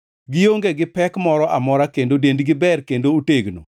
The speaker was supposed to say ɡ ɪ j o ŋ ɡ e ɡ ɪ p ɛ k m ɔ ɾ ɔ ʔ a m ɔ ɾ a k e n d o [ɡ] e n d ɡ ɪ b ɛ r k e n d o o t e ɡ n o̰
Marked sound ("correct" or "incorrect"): incorrect